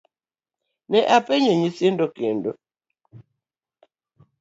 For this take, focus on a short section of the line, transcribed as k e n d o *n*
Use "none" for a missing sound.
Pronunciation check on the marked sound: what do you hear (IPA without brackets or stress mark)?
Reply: none